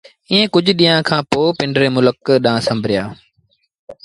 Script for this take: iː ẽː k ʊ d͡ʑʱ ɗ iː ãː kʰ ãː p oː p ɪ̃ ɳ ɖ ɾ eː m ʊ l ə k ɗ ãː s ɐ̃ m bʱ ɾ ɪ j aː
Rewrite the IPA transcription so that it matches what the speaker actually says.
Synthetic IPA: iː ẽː k ʊ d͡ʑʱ ɗ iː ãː kʰ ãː p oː p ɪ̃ ɳ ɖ ɾ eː m ʊ l ə k ɗ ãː s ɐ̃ m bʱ ɾ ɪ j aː